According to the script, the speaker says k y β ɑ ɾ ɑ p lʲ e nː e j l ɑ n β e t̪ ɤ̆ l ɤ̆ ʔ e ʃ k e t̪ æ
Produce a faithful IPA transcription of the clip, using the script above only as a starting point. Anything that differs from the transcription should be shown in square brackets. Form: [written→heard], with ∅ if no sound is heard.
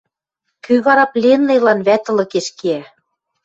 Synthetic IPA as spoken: k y β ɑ ɾ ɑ p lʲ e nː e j l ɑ n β [e→æ] t̪ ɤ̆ l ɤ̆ [ʔ→k] e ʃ k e [t̪→∅] æ